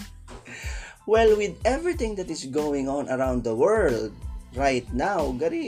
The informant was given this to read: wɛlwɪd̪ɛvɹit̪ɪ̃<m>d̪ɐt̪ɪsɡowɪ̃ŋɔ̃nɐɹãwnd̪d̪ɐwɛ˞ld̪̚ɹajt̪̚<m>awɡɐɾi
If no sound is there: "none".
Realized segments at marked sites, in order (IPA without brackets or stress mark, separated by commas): ŋ, n